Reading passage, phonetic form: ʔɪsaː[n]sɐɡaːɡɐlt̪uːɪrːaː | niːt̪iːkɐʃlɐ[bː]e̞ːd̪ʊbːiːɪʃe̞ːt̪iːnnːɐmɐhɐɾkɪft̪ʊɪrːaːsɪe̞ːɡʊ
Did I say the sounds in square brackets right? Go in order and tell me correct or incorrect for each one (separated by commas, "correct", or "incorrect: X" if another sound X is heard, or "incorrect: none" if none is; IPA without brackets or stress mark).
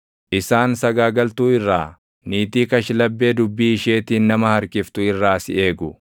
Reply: correct, correct